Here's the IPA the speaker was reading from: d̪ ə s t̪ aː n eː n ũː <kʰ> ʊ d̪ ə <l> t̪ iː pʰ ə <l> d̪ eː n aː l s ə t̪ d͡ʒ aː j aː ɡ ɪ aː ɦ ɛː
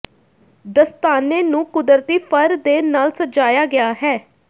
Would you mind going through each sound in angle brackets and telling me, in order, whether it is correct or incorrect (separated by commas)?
incorrect, incorrect, incorrect